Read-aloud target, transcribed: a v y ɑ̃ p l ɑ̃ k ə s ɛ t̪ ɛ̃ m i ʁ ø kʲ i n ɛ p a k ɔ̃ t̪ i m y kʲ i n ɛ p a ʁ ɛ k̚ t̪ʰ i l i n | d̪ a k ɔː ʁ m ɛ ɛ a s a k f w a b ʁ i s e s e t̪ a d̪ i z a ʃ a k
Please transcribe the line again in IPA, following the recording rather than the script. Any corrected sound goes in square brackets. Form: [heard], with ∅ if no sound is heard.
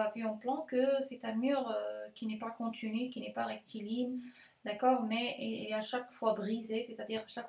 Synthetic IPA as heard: a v y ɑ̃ p l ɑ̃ k ə s ɛ t̪ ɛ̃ m [y] ʁ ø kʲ i n ɛ p a k ɔ̃ t̪ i [n] y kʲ i n ɛ p a ʁ ɛ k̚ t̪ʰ i l i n | d̪ a k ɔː ʁ m ɛ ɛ a [ʃ] a k f w a b ʁ i [z] e s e t̪ a d̪ i [ʁ] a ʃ a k